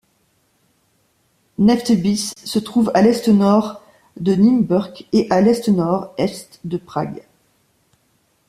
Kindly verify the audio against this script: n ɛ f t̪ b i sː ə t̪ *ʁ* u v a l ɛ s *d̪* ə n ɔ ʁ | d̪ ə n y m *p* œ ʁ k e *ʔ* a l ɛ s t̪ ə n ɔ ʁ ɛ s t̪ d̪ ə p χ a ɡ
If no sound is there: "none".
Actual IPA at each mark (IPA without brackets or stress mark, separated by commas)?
χ, t̪, b, ʔ